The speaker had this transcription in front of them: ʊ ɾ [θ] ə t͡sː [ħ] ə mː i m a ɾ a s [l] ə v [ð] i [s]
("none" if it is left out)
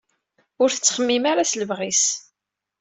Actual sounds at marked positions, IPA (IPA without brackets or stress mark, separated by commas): θ, χ, l, ʁ, s